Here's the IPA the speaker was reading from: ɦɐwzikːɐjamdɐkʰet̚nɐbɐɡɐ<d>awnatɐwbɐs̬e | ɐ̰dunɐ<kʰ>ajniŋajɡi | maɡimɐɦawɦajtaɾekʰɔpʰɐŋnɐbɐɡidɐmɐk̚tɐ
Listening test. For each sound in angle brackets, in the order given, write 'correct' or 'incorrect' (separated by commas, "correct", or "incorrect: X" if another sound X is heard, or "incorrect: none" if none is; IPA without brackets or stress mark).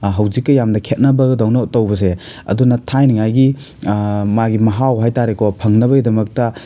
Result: correct, incorrect: tʰ